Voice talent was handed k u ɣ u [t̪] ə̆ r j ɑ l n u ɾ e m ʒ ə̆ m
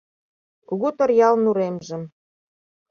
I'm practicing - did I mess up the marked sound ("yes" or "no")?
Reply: no